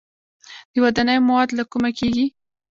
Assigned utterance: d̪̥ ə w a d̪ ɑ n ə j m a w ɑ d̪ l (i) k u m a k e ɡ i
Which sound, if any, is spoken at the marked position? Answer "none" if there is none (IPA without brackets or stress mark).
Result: a